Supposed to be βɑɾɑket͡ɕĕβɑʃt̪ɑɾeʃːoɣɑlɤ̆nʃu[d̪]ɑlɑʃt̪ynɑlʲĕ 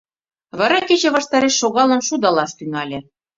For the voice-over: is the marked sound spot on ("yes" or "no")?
yes